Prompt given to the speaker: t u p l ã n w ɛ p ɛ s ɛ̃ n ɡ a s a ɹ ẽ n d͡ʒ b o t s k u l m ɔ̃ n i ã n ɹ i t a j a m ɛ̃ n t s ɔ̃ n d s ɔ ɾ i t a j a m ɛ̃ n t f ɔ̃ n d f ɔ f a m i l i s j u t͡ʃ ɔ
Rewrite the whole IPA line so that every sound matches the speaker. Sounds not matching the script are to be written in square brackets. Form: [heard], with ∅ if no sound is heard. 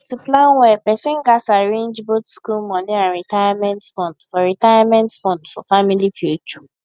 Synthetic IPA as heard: t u p l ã n w ɛ p ɛ s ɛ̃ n ɡ a s a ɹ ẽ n d͡ʒ b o t s k u l m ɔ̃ n i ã n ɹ i t a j a m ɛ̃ n t [f] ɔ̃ n d [f] ɔ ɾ i t a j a m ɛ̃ n t f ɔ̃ n d f ɔ f a m i l i [f] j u t͡ʃ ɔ